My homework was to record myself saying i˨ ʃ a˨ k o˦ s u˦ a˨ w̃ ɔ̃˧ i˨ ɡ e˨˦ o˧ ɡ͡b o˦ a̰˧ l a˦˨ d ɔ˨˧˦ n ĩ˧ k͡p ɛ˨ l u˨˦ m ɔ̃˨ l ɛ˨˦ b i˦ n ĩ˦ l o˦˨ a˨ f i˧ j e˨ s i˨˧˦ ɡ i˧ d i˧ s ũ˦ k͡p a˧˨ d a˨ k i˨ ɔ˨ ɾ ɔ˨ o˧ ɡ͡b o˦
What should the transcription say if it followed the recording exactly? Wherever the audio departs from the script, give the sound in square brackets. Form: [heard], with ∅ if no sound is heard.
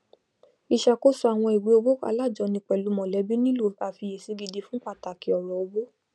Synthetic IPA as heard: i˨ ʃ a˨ k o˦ s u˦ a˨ w̃ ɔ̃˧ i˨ [ɡ͡b] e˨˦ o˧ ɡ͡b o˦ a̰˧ l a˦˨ [d͡ʒ] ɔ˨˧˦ n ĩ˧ k͡p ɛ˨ l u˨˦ m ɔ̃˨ l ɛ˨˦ b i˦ n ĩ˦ l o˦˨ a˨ f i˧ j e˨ s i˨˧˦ ɡ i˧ d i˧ [f] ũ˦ k͡p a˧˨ [t] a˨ k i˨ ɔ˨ ɾ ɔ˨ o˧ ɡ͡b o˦